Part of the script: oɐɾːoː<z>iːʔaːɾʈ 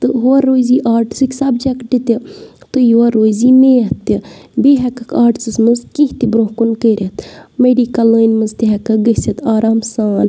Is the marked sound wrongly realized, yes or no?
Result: no